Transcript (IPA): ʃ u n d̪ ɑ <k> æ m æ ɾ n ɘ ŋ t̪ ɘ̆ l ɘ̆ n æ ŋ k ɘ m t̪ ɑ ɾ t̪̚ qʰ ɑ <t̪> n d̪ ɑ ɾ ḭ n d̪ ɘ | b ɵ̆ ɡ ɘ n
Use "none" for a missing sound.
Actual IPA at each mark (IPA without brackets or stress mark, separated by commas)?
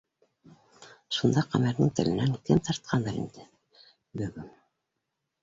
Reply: q, none